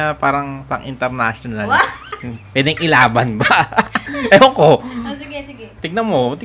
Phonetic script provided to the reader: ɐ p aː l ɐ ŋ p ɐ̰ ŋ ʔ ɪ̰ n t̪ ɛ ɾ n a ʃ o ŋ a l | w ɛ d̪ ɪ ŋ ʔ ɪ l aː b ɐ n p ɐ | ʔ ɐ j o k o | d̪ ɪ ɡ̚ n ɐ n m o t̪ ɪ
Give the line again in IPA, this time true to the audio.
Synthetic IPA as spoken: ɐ p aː ɾ ɐ ŋ p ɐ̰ ŋ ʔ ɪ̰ n t̪ ɛ ɾ n a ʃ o n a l | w ɛ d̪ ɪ ŋ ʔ ɪ l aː b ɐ n b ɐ | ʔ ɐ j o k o | t̪ ɪ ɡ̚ n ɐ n m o t̪ ɪ